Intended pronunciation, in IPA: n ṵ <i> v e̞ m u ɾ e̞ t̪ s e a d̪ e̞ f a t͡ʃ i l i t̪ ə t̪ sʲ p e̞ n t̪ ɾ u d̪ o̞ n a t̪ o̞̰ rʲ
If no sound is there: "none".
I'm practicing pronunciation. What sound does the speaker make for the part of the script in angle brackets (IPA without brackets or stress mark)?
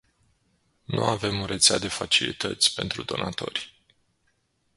a